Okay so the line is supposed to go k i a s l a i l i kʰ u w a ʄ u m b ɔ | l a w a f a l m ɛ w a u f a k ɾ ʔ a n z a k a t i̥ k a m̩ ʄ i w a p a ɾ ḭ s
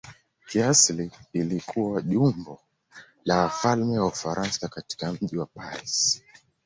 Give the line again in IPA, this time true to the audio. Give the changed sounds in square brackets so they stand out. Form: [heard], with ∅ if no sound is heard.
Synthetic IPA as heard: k i a s l [i] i l i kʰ u w a ʄ u m b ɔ | l a w a f a l m ɛ w a u f a [∅] ɾ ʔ a n [s] a k a t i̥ k a m̩ ʄ i w a p a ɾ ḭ s